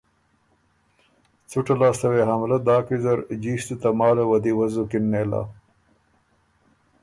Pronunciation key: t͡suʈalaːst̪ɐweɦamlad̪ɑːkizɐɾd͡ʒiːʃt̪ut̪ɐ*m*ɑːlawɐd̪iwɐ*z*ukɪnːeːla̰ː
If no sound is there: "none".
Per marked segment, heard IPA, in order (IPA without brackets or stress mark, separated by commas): m, z